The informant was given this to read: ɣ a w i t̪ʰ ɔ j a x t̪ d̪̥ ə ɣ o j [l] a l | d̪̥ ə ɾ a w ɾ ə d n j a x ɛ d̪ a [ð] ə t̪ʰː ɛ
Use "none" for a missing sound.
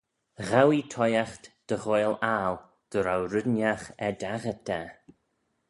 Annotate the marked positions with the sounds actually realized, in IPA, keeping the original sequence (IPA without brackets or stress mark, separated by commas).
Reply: l, ɣ